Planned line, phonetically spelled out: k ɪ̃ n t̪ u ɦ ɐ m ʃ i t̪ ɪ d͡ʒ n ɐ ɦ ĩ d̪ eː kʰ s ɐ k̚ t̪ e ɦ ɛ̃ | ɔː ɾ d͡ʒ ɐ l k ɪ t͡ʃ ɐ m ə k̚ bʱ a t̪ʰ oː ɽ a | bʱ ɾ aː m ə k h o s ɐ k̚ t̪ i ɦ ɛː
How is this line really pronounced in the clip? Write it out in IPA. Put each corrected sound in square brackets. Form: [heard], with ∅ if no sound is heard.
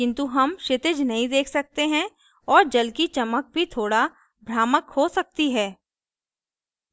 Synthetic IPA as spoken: k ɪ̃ n t̪ u ɦ ɐ m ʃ [ɪ] t̪ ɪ d͡ʒ n ɐ ɦ ĩ d̪ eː kʰ s ɐ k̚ t̪ e ɦ ɛ̃ | ɔː ɾ d͡ʒ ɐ l k [i] t͡ʃ ɐ m ə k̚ bʱ [i] t̪ʰ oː ɽ a | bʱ ɾ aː m ə k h o s ɐ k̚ t̪ i ɦ ɛː